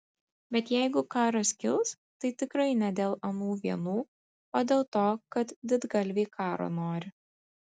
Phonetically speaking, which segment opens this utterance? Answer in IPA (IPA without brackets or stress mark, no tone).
bʲ